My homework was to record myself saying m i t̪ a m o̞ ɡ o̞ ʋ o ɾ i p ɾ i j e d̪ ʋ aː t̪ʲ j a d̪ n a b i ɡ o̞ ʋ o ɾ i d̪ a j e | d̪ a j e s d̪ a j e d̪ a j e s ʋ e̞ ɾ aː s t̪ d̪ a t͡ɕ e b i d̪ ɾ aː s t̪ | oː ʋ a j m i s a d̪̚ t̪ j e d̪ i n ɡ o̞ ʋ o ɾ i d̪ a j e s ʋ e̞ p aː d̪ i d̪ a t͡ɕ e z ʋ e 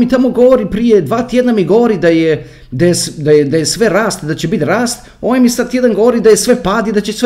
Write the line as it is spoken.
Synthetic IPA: m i t̪ a m o̞ ɡ o̞ ʋ o ɾ i p ɾ i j e d̪ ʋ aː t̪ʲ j e d̪ n a m i ɡ o̞ ʋ o ɾ i d̪ a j e | d̪ a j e s d̪ a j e d̪ a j e s ʋ e̞ ɾ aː s t̪ d̪ a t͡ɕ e b i t̪ ɾ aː s t̪ | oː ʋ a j m i s a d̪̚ t̪ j e d̪ a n ɡ o̞ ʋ o ɾ i d̪ a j e s ʋ e̞ p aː d̪ i d̪ a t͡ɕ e s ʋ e